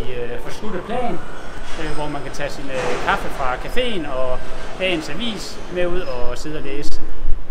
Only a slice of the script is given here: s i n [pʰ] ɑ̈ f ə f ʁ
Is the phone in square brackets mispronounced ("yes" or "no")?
yes